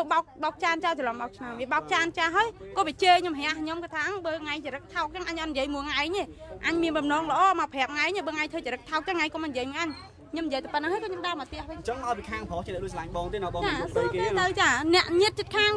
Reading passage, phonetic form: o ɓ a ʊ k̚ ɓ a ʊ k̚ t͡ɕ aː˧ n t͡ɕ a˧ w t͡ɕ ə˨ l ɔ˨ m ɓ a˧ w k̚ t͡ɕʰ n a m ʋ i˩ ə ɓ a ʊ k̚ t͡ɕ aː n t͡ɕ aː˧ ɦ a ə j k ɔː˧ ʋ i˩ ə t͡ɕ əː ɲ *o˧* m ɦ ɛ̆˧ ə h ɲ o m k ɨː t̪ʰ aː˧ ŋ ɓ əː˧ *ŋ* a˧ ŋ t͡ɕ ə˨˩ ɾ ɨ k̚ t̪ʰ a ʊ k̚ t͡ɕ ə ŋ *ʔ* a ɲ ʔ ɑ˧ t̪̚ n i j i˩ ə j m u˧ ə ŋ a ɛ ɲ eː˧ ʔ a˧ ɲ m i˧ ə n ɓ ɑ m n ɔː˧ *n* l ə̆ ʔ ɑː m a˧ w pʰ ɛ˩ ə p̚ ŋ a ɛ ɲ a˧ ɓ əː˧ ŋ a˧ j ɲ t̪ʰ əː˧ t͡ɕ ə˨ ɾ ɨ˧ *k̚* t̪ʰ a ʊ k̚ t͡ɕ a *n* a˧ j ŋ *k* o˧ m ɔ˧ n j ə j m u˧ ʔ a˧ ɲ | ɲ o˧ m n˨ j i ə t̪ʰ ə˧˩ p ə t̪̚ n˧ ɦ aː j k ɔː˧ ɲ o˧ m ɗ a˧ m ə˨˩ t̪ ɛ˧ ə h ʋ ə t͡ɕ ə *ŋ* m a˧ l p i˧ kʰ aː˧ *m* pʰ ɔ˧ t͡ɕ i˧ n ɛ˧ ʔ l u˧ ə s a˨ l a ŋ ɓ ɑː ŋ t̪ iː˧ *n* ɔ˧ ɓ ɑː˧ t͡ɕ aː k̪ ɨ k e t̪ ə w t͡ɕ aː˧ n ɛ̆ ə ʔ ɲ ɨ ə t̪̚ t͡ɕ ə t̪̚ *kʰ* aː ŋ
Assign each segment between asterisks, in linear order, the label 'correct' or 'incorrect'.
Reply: correct, correct, correct, incorrect: ŋ, correct, incorrect: ŋ, correct, correct, incorrect: ŋ, correct, correct

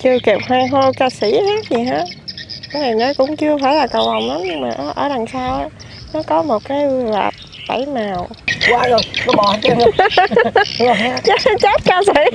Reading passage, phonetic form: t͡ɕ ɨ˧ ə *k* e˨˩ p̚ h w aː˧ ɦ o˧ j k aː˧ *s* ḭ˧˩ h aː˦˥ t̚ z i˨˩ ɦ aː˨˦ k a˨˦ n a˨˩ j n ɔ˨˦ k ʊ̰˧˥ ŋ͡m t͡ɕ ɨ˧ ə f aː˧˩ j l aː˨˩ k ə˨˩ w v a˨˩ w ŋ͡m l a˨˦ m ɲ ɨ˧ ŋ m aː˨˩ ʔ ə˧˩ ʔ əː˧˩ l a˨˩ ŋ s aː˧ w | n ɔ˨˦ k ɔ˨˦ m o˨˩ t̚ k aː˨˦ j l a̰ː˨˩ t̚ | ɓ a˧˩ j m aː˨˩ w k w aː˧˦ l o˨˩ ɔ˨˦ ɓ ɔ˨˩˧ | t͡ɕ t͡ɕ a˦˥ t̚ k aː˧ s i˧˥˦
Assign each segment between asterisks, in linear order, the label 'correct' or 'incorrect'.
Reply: correct, correct

